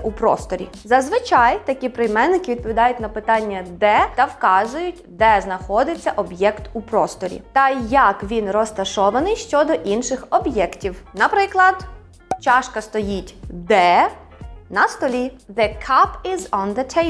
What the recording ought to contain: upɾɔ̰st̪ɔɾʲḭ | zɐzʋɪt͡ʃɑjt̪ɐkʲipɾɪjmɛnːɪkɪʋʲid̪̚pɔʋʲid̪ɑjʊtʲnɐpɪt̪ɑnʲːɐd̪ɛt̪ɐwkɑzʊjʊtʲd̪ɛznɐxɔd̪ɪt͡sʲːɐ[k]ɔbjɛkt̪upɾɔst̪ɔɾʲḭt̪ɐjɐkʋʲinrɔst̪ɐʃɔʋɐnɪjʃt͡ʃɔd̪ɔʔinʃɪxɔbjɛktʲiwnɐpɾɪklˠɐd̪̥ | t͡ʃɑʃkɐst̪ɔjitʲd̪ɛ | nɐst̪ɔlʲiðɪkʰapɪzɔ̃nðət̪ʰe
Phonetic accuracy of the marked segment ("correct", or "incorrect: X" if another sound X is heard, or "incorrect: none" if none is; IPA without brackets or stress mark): incorrect: ʔ